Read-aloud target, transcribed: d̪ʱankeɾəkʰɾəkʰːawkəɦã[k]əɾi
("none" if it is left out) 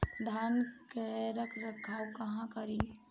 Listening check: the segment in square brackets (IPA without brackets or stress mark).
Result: k